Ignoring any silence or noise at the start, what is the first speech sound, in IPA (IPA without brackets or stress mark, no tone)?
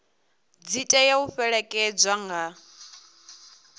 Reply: d͡z